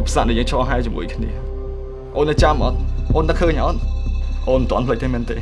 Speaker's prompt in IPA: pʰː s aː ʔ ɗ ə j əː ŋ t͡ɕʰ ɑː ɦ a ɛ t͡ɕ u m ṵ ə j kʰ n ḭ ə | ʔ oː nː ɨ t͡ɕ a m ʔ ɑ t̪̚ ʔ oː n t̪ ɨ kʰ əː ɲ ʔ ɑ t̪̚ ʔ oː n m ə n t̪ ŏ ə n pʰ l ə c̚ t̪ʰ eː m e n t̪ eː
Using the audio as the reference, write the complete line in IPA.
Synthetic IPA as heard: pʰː s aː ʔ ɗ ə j əː ŋ t͡ɕʰ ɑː ɦ a ɛ t͡ɕ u m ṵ ə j kʰ n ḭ ə | ʔ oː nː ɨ t͡ɕ a m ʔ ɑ t̪̚ ʔ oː n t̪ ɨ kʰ əː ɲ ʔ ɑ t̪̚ ʔ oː n m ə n t̪ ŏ ə n pʰ l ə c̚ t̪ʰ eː m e n t̪ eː